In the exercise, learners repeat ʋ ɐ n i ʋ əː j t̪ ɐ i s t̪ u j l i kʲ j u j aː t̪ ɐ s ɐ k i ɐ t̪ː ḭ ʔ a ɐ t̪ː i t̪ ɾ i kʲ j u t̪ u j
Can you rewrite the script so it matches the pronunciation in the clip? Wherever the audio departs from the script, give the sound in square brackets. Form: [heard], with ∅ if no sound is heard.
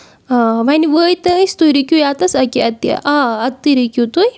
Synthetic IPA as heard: ʋ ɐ n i ʋ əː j t̪ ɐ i s t̪ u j [ɾ] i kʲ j u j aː t̪ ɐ s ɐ k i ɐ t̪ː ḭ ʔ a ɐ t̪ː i [∅] ɾ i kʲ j u t̪ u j

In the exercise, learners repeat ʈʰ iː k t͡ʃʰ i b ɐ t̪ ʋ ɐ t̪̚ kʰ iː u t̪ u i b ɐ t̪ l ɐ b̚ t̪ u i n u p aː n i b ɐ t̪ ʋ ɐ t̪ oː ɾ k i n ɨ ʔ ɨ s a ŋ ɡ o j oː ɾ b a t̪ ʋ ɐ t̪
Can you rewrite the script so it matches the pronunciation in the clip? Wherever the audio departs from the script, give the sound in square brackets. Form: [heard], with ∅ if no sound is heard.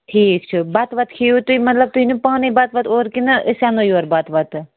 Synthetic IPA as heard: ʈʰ iː k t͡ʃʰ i b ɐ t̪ ʋ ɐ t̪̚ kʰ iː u t̪ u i [m] ɐ t̪ l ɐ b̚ t̪ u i n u p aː n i b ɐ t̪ ʋ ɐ t̪ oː ɾ k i n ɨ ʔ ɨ s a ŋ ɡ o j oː ɾ b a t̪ ʋ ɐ t̪

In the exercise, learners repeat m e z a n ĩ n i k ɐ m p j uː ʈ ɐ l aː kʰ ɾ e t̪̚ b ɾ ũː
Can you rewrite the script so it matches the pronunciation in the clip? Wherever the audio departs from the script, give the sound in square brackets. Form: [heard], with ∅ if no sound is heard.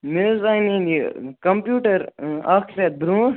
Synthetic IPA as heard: m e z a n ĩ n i k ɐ m p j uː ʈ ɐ [ɾ] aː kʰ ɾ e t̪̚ b ɾ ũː

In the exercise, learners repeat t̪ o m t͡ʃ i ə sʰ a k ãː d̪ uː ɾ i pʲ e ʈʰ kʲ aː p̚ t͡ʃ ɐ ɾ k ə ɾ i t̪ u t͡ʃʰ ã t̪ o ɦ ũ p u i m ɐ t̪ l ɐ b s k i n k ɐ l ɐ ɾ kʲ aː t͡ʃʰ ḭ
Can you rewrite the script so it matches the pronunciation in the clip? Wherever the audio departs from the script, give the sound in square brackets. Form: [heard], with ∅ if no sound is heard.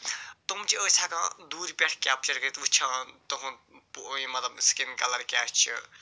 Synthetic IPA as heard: t̪ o m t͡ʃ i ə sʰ a k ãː d̪ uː ɾ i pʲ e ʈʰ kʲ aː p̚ t͡ʃ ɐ ɾ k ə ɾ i t̪ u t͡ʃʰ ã t̪ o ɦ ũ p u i m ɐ t̪ l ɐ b s k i n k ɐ l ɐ ɾ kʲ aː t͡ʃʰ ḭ

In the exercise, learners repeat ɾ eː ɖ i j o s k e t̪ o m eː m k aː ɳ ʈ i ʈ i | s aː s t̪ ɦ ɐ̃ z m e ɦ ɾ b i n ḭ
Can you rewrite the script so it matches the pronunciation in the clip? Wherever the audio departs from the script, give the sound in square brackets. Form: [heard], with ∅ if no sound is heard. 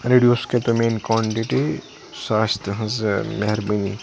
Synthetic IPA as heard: ɾ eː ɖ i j o s k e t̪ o m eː [n] k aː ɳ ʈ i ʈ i | s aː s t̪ ɦ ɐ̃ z m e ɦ ɾ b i n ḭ

